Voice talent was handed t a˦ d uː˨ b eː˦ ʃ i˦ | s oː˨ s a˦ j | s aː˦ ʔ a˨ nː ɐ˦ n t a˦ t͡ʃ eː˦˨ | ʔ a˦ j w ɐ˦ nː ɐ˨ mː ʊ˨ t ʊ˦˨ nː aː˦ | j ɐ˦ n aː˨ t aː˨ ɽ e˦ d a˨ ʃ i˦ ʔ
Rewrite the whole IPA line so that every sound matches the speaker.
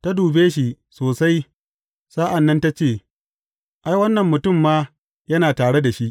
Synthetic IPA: t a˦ d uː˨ b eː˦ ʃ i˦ | s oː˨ s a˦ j | s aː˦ ʔ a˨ nː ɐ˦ n t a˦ t͡ʃ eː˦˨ | ʔ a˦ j w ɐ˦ nː ɐ˨ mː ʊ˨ t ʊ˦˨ mː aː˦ | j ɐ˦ n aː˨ t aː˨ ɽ e˦ d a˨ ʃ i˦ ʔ